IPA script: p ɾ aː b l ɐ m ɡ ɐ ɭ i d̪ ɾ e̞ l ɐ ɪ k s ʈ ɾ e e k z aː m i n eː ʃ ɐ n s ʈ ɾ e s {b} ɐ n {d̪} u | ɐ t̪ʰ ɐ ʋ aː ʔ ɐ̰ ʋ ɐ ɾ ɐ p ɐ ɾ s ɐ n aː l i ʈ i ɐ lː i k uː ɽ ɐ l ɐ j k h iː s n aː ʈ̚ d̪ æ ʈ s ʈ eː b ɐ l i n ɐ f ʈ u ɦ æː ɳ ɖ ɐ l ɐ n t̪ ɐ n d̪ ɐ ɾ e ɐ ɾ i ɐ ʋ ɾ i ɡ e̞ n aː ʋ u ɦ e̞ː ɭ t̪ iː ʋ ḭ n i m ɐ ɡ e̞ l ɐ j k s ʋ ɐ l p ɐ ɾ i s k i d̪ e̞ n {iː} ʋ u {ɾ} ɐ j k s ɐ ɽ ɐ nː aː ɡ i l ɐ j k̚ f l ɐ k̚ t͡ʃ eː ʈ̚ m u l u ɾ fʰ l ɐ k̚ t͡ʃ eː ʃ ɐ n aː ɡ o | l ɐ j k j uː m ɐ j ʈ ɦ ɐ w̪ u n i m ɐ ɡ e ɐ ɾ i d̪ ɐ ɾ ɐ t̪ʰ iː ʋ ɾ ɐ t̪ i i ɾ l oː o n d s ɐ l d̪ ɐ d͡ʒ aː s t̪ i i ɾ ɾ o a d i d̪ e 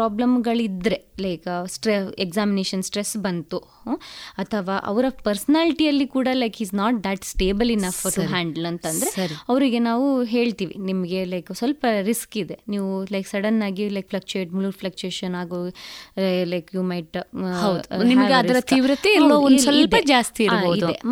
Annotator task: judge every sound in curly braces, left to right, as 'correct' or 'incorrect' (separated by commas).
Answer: correct, incorrect, correct, incorrect